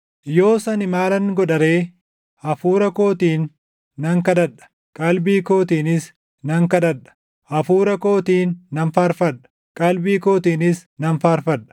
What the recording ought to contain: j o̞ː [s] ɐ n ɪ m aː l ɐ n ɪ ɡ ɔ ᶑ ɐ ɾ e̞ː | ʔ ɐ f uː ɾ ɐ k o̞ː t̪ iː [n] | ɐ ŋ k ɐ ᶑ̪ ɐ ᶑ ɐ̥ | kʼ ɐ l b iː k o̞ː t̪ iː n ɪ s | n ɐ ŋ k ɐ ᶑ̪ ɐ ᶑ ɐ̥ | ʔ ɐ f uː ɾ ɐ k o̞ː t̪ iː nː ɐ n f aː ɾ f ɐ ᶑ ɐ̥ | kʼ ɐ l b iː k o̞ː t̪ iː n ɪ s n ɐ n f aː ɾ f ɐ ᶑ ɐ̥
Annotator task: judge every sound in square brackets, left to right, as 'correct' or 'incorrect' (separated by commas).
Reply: correct, incorrect